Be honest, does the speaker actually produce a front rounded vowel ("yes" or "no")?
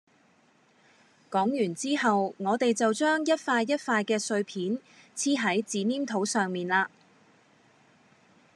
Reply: yes